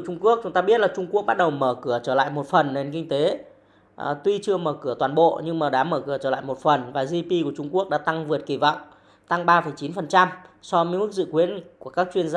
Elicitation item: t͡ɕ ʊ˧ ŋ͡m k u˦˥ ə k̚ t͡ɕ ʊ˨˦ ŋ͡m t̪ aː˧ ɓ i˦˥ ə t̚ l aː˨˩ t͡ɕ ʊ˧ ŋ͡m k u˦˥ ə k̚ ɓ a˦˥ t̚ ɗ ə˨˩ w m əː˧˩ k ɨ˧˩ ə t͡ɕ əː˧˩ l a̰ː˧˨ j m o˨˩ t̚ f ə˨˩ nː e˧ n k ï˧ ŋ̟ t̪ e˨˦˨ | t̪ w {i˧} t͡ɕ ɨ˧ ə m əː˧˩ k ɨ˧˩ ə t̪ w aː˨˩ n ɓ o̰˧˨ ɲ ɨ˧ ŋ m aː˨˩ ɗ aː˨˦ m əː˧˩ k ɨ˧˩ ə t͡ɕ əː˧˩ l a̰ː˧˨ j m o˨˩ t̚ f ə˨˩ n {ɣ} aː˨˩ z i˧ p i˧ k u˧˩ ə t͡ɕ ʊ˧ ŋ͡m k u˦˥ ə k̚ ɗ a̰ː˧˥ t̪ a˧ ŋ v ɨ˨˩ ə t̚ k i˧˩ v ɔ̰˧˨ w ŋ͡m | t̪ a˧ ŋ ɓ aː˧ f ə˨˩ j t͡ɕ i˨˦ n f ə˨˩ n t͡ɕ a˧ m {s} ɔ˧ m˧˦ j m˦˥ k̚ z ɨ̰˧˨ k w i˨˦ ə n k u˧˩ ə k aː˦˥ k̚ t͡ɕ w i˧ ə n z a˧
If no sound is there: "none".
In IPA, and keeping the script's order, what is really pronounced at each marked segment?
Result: i˧, v, s

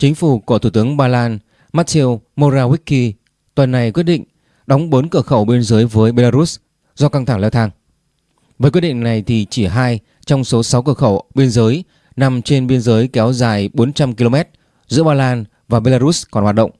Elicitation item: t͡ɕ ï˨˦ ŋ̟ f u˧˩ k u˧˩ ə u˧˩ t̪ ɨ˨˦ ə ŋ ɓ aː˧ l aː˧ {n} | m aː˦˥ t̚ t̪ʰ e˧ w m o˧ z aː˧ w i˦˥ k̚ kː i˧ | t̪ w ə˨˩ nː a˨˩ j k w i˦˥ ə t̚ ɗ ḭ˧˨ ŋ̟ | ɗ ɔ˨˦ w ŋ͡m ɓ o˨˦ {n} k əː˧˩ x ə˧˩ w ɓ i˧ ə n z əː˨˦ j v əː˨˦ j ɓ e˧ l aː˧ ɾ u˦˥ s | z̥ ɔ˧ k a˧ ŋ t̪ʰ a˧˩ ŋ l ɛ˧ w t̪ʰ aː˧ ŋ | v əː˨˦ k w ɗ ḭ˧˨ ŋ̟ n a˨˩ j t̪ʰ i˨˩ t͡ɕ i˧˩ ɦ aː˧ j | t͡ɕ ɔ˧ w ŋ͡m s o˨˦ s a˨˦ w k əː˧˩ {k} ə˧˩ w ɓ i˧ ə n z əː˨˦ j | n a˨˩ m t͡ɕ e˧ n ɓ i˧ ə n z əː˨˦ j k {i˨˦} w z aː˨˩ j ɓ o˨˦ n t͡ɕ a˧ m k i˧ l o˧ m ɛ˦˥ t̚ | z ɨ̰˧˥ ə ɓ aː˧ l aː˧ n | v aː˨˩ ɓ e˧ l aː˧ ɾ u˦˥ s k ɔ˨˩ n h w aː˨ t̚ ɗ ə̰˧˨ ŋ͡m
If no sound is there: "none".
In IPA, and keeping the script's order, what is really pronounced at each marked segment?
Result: n, n, x, ɛ˨˦

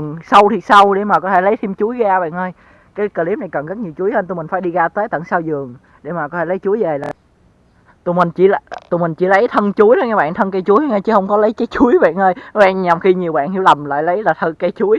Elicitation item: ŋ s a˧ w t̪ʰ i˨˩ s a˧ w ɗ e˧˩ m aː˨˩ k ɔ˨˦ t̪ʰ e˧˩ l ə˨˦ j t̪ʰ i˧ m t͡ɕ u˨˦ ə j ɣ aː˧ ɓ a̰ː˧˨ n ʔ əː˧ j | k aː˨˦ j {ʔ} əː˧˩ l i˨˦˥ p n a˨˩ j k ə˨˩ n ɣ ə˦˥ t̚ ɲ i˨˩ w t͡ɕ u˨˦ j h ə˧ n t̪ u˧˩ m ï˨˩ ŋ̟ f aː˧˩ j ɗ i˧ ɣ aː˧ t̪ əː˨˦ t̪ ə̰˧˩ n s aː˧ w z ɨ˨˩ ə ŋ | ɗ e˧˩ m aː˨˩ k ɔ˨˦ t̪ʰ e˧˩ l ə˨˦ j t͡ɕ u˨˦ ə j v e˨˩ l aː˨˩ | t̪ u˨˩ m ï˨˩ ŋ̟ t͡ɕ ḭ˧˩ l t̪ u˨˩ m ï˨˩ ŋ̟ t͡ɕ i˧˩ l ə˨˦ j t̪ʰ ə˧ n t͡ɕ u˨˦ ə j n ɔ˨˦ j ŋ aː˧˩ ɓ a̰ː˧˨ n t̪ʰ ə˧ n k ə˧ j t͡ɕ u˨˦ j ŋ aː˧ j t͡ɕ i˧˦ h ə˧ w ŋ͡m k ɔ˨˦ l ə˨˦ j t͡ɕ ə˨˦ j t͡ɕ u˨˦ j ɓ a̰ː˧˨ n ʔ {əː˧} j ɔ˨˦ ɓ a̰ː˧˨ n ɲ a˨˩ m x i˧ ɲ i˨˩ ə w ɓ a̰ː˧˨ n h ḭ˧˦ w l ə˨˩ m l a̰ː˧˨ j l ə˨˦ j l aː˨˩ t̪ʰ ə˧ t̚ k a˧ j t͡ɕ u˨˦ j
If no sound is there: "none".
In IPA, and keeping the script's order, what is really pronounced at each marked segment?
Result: k, əː˧

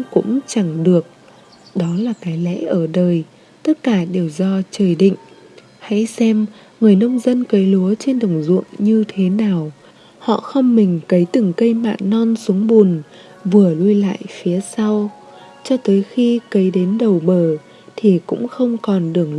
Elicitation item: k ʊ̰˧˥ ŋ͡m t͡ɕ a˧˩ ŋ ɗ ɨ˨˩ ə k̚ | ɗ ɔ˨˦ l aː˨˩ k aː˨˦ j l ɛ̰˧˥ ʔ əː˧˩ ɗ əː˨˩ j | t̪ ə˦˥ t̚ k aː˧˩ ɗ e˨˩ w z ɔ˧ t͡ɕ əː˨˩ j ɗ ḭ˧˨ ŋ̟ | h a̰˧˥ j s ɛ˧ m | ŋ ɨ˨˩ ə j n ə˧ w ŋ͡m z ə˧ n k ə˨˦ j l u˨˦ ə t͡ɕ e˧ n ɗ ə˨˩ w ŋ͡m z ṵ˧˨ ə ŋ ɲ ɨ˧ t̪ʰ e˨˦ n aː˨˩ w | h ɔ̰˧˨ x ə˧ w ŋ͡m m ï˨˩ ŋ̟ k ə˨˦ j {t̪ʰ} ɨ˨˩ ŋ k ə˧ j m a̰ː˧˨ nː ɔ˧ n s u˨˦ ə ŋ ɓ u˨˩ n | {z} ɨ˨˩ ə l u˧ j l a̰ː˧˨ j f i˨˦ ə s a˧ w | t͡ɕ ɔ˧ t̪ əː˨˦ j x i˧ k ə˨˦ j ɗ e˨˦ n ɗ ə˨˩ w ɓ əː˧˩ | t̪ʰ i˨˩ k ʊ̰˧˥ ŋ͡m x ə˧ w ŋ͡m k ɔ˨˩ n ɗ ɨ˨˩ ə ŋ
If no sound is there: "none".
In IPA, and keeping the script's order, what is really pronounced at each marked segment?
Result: t̪, v

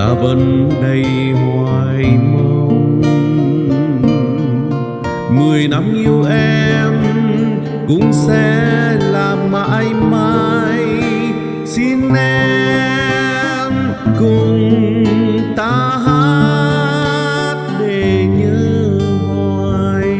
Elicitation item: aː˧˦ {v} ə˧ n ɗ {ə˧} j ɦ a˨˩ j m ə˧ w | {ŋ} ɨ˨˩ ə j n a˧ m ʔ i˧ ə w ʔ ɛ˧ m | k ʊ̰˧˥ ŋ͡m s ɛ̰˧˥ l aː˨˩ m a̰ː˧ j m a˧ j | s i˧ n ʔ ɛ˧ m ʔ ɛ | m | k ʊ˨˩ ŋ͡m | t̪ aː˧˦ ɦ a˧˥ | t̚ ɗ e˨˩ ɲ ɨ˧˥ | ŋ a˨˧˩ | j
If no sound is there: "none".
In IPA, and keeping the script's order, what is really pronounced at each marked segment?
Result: v, ə˧, m

